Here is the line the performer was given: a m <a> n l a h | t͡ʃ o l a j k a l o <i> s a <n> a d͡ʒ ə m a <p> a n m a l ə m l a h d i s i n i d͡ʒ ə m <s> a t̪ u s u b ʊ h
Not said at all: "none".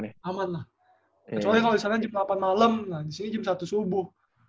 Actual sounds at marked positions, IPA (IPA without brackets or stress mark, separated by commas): a, i, n, p, s